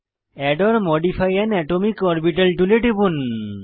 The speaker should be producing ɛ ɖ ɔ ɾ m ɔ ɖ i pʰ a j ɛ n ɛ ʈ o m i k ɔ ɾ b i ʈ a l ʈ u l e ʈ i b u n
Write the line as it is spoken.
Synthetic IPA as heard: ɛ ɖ ɔ ɾ m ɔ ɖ i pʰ a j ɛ n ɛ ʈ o m i k ɔ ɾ b i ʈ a l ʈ u l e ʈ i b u n